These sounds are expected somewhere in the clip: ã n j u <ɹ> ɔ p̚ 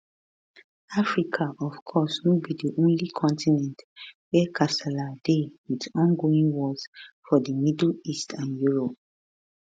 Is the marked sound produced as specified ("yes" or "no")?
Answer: yes